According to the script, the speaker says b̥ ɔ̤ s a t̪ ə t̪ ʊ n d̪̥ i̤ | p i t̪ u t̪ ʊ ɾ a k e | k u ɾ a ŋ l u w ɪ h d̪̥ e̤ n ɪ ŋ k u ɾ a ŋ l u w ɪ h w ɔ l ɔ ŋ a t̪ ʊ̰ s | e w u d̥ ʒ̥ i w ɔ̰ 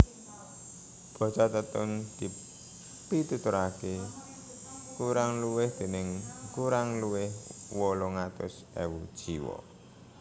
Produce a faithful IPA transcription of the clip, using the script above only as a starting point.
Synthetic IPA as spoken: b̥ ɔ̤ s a t̪ ə t̪ ʊ n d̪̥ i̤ | p i t̪ u t̪ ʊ ɾ a k e | k u ɾ a ŋ l u w ɪ h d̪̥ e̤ n ɪ ŋ k u ɾ a ŋ l u w ɪ h w ɔ l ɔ ŋ a t̪ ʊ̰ s | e w u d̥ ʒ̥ i w ɔ̰